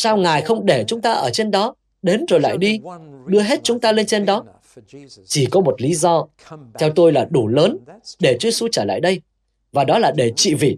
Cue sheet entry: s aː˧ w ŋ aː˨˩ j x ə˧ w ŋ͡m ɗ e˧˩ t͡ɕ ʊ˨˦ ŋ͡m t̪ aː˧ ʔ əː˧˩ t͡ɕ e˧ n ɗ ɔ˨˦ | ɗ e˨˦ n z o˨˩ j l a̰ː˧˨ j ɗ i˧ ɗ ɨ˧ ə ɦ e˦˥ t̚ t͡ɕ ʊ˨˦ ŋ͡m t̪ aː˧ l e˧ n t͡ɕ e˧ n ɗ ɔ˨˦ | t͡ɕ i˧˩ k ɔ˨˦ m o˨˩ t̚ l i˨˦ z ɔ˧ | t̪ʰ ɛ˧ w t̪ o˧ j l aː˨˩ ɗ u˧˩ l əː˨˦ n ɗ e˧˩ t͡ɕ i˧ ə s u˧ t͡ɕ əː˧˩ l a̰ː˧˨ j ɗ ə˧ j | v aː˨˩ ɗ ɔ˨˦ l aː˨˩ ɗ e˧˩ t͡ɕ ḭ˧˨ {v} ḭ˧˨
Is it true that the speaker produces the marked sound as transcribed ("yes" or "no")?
yes